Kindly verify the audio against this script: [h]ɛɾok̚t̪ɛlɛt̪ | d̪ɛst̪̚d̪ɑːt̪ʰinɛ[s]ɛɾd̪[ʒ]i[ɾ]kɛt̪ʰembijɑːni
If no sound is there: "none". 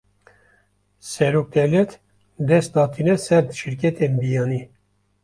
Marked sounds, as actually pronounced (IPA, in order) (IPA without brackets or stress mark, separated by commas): s, s, ʃ, ɾ